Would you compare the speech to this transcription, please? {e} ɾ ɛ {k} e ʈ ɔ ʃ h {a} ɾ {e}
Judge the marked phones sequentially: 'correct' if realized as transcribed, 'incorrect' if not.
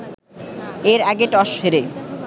correct, incorrect: ɡ, incorrect: e, correct

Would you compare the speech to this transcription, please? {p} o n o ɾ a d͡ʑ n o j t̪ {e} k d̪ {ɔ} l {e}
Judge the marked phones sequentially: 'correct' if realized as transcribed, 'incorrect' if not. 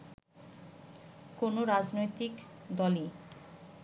incorrect: k, incorrect: i, correct, incorrect: i

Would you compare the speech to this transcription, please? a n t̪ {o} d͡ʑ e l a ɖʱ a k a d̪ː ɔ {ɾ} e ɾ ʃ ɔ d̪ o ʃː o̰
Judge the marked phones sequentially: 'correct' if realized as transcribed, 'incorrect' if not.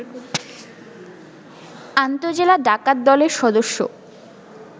correct, incorrect: l

